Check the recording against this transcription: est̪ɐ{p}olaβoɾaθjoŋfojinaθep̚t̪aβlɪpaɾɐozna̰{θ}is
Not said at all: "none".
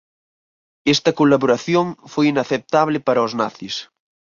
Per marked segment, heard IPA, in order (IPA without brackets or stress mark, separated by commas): k, θ